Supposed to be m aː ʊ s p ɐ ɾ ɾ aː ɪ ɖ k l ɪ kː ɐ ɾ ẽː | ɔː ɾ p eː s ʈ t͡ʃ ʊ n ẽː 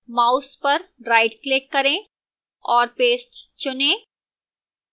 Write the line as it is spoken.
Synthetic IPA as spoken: m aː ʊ s p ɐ ɾ ɾ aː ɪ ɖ k l ɪ kː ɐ ɾ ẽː | ɔː ɾ p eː s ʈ t͡ʃ ʊ n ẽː